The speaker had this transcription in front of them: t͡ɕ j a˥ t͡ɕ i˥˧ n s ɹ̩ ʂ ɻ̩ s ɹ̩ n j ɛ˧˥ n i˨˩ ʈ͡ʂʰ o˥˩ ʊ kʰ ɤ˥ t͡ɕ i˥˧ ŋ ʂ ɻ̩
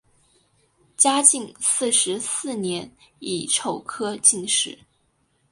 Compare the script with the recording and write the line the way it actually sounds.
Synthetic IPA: t͡ɕ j a˥ t͡ɕ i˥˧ ŋ s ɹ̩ ʂ ɻ̩ s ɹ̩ n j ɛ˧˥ n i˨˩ ʈ͡ʂʰ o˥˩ ʊ kʰ ɤ˥ t͡ɕ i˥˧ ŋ ʂ ɻ̩